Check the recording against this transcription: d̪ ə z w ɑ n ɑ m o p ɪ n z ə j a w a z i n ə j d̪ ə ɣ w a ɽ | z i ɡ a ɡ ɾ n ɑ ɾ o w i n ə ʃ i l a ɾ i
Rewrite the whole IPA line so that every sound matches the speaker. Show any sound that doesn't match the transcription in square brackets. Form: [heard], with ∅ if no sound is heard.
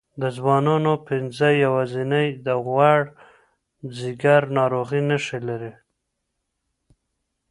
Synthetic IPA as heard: d̪ ə z w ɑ n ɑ [n] o p ɪ n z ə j a w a z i n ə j d̪ ə ɣ w a ɽ | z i ɡ a [∅] ɾ n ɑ ɾ o [ɣ] i n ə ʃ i l a ɾ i